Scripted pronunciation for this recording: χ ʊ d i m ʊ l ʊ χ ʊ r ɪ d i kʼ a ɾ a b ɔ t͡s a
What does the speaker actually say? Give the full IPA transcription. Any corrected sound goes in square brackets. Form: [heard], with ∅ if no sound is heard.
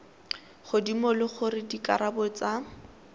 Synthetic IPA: χ ʊ d i m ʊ l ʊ χ ʊ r ɪ d i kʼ a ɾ a b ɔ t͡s a